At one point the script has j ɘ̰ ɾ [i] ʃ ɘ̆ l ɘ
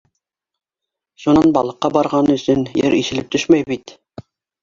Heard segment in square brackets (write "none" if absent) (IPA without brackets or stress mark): i